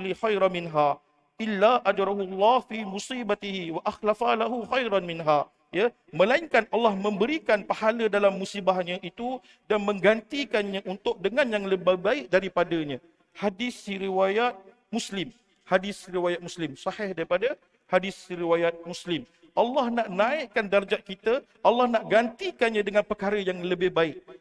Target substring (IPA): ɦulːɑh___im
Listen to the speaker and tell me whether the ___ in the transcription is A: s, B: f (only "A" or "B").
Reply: B